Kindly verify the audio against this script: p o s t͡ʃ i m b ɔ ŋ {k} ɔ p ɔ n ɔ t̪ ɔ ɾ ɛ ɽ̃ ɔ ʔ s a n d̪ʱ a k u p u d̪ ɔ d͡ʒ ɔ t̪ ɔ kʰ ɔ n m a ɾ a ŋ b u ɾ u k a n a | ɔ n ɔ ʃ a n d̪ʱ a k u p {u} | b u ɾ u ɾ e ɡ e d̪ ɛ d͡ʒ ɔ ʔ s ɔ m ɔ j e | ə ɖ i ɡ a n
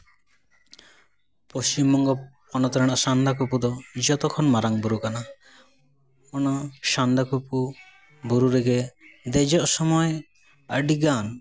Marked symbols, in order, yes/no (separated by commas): no, yes